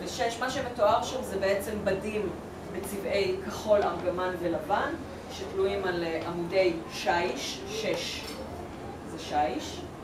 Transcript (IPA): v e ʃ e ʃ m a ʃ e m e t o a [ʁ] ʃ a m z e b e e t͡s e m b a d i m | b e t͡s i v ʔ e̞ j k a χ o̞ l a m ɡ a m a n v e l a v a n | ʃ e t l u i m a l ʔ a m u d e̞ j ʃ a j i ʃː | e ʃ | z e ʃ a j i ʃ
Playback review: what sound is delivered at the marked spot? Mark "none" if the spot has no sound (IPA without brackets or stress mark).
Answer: ʁ